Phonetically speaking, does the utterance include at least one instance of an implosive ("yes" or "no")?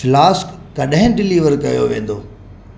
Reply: yes